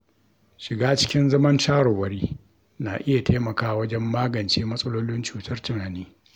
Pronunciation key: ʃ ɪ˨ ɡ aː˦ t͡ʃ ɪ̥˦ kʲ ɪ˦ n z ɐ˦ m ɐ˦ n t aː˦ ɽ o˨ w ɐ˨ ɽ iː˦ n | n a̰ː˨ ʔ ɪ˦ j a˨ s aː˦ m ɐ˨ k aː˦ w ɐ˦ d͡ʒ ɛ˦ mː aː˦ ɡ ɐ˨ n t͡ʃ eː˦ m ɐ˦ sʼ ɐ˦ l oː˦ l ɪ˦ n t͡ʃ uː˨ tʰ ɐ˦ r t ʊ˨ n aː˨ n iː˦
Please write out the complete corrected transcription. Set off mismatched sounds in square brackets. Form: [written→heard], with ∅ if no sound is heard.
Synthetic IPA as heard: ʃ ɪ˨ ɡ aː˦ t͡ʃ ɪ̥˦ kʲ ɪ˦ n z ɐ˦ m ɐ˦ n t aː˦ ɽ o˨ w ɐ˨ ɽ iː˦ [n→∅] | n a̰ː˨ ʔ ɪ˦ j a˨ [s→t] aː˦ m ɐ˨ k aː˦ w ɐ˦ d͡ʒ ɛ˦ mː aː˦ ɡ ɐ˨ n t͡ʃ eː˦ m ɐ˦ sʼ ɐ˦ l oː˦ l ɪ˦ n t͡ʃ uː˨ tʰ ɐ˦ r t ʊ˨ n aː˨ n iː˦

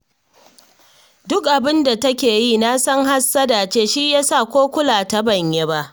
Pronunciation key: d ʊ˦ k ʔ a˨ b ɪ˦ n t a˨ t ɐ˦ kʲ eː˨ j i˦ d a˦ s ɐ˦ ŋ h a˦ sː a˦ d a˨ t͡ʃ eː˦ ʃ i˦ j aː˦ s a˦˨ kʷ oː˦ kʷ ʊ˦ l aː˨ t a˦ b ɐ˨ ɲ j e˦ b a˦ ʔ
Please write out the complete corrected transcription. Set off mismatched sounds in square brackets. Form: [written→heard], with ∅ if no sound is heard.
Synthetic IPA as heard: d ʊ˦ k ʔ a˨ b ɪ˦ n [t→d] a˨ t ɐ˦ kʲ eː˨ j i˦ [d→n] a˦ s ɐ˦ ŋ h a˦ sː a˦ d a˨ t͡ʃ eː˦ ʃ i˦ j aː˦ s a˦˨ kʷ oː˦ kʷ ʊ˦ l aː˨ t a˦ b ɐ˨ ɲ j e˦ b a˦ ʔ

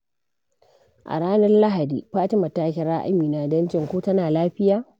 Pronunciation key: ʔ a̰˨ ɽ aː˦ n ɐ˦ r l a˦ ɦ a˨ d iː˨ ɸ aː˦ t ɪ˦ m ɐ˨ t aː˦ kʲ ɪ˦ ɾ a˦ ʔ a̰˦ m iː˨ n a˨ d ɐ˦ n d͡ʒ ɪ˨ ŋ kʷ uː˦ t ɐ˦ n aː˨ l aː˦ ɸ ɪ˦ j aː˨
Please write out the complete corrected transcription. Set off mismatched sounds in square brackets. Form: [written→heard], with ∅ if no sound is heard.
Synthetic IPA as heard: ʔ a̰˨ ɽ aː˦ n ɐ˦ r l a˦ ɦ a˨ d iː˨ ɸ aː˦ t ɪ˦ m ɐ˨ t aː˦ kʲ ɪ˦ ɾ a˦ ʔ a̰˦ m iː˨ n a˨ d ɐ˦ n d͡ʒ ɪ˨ ŋ kʷ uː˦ t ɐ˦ n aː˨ l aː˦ ɸ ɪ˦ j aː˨

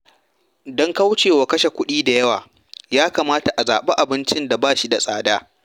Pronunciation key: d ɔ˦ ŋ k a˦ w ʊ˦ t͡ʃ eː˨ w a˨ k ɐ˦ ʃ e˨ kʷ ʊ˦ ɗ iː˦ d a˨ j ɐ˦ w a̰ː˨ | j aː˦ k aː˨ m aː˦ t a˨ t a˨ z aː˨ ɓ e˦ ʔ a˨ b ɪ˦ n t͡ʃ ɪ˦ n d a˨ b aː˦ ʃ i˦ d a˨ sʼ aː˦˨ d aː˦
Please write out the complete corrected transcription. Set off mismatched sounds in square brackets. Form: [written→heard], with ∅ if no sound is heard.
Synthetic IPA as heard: d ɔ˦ ŋ k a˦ w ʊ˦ t͡ʃ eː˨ w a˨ k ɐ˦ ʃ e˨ kʷ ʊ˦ ɗ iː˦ d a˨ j ɐ˦ w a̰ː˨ | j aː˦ k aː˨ m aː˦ t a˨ [t→ʔ] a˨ z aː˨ ɓ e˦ ʔ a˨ b ɪ˦ n t͡ʃ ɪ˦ n d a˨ b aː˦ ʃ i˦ d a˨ sʼ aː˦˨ d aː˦

